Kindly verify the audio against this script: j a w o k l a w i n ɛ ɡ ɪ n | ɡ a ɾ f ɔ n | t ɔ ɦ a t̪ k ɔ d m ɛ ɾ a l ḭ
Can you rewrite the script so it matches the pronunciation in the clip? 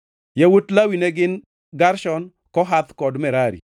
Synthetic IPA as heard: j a w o t l a w i n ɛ ɡ ɪ n | ɡ a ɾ ʃ ɔ n | k ɔ ɦ a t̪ k ɔ d m ɛ ɾ a ɾ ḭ